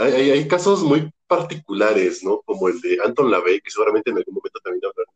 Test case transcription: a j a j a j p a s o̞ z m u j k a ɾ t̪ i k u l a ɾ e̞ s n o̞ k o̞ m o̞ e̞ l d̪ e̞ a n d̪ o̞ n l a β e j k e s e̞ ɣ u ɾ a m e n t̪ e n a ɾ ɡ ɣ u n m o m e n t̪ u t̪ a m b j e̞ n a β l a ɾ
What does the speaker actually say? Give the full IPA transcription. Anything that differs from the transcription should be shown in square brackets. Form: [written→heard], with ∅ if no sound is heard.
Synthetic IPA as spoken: a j a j a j [p→k] a s o̞ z m u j [k→p] a ɾ t̪ i k u l a ɾ e̞ s n o̞ k o̞ m o̞ e̞ l d̪ e̞ a n [d̪→t̪] o̞ n l a β e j k e s e̞ ɣ u ɾ a m e n t̪ e n a [ɾ→l] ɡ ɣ u n m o m e n t̪ [u→o] t̪ a m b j e̞ n a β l a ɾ